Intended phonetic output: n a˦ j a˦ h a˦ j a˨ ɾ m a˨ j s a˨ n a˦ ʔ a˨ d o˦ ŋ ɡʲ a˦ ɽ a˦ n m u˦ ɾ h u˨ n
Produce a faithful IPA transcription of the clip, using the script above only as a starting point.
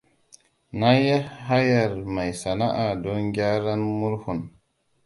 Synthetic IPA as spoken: n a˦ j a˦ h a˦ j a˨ ɾ m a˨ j s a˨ n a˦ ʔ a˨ d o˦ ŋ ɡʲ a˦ ɾ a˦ n m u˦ ɾ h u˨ n